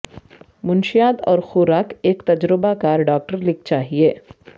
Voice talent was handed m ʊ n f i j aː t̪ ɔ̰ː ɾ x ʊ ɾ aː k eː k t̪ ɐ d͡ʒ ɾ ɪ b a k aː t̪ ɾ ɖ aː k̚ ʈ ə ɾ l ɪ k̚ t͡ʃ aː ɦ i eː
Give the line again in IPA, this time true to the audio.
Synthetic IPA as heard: m ʊ n ʃ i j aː d̪ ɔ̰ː ɾ x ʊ ɾ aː k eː k t̪ ɐ d͡ʒ ɾ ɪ b a k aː ɾ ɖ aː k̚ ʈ ə ɾ l ɪ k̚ t͡ʃ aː ɦ i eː